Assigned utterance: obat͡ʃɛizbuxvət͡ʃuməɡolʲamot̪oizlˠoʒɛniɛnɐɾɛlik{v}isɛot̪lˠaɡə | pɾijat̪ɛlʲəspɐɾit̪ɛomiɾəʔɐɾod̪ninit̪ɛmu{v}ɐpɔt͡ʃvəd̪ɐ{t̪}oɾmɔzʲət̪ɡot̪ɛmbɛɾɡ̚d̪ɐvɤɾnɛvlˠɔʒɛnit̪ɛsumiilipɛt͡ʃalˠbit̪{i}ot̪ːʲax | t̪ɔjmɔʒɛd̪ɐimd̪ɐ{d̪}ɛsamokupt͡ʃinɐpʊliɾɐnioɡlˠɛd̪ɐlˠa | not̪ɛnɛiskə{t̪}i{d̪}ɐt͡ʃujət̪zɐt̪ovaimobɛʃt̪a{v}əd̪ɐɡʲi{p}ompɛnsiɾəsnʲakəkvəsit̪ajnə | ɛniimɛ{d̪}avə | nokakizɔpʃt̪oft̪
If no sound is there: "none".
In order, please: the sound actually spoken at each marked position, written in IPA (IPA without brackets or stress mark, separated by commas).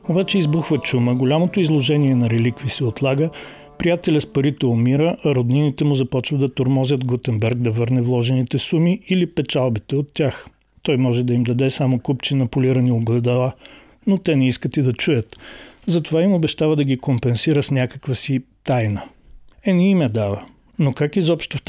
v, z, t̪, ɛ, d̪, t̪, d̪, v, k, d̪